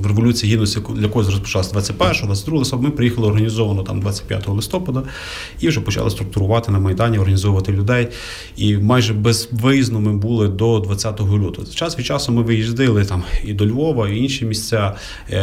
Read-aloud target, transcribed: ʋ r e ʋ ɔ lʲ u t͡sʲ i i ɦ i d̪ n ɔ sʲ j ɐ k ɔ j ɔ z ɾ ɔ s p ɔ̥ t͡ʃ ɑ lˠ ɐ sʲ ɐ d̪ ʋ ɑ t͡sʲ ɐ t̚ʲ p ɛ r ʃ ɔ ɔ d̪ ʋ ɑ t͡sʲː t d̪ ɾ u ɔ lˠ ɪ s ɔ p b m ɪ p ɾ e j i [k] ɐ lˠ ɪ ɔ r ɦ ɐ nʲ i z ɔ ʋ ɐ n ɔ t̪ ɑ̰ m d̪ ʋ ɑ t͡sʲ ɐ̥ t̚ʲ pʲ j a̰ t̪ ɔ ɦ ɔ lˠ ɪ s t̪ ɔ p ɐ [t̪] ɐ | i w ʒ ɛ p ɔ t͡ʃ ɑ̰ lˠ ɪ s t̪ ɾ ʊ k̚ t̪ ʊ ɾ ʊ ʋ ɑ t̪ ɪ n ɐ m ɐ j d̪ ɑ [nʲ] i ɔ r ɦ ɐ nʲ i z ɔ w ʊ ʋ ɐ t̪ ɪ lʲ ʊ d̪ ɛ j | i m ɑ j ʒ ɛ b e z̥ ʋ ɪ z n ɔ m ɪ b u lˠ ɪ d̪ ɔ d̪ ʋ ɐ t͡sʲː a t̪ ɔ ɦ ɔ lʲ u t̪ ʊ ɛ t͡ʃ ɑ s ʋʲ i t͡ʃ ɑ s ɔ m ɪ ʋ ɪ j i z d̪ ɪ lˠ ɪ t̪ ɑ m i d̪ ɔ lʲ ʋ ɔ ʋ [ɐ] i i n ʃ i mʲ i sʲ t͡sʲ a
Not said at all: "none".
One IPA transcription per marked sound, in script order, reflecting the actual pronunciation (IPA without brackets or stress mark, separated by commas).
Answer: x, d̪, nʲ, ɐ